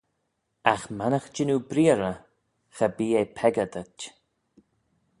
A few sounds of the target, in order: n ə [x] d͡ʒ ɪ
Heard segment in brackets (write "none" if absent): x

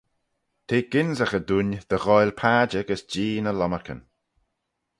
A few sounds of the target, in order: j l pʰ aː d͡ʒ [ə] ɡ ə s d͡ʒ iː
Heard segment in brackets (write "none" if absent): ə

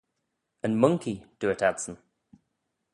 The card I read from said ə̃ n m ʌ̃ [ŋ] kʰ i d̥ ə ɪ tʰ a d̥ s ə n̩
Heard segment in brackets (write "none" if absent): ŋ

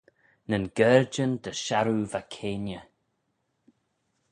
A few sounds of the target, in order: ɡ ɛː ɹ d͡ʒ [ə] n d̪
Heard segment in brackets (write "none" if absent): ə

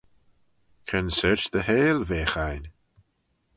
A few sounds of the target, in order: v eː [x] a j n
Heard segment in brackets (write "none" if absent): x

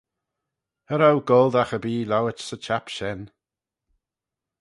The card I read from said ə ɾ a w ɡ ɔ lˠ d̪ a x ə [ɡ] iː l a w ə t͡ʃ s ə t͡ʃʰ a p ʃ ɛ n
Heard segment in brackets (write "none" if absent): b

